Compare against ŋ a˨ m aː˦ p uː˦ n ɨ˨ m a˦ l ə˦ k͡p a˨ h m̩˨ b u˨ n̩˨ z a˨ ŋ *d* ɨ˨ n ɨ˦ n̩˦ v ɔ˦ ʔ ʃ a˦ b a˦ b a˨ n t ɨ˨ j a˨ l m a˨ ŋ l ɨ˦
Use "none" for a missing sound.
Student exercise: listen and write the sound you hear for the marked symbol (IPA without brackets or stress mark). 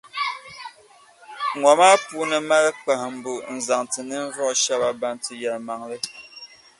t